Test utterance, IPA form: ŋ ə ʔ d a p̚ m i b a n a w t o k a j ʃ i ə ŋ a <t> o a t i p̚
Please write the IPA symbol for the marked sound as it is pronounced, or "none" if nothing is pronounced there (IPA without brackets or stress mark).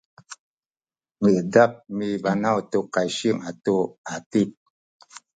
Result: t